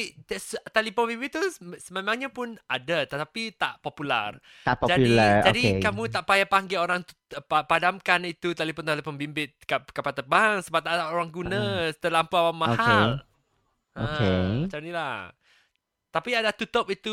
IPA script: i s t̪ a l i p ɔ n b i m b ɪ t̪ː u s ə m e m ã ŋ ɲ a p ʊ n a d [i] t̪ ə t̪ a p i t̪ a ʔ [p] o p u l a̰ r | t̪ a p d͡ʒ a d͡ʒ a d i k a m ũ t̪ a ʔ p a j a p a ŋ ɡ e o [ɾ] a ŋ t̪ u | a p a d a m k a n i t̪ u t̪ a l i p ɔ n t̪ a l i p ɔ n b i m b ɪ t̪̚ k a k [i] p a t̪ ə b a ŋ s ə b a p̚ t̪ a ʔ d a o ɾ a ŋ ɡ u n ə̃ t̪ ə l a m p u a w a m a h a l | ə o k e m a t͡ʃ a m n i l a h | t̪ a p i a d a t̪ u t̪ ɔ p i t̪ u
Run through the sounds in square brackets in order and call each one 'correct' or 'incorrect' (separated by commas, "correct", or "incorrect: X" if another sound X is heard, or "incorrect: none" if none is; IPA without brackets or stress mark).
incorrect: a, correct, correct, incorrect: a